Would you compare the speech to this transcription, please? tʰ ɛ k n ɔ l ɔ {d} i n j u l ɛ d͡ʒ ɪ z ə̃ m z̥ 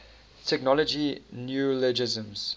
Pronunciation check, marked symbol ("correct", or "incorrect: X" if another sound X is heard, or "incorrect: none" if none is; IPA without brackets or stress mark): incorrect: d͡ʒ